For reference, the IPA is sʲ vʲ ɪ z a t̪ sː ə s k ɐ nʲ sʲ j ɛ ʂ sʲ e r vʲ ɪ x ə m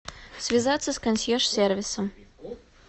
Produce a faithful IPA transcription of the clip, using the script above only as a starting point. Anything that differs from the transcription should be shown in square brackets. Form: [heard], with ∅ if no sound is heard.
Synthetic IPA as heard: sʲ vʲ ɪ z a t̪ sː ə s k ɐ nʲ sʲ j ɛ ʂ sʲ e r vʲ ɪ [s] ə m